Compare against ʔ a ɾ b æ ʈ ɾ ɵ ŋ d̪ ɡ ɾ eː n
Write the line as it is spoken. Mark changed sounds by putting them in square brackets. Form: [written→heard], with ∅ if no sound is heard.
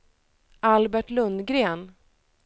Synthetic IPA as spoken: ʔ a [ɾ→l] b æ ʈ [ɾ→l] ɵ [ŋ→n] d̪ ɡ ɾ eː n